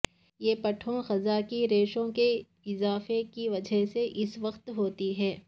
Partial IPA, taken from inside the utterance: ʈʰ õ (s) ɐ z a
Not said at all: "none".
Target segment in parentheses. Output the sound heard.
x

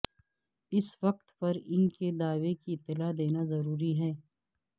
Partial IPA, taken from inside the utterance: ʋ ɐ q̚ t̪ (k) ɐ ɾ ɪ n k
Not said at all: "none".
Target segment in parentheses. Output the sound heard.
p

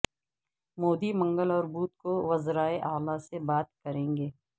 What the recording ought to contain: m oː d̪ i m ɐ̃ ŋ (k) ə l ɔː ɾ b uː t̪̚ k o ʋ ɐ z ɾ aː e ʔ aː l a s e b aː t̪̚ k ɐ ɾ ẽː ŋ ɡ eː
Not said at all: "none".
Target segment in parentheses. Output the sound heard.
ɡ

